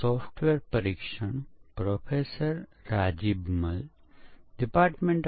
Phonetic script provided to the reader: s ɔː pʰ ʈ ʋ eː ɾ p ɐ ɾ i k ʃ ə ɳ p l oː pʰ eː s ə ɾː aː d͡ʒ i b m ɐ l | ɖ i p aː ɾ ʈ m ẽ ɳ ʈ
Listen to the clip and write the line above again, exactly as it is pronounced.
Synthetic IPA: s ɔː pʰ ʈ ʋ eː ɾ p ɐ ɾ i k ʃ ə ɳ p ɾ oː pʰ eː s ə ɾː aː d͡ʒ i b m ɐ l | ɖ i p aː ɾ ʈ m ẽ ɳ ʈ